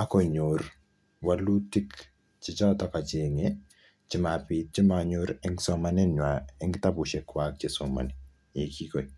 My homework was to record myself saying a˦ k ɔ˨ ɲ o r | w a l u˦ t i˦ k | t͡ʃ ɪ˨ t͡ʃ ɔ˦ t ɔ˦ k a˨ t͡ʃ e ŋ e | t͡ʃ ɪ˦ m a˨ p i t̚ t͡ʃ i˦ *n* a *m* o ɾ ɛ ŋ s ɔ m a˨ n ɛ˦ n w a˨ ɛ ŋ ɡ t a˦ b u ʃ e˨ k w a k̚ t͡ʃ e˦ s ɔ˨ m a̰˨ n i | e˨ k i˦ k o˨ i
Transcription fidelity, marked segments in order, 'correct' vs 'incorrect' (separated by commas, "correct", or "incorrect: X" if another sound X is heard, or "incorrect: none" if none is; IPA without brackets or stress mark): incorrect: m, incorrect: ɲ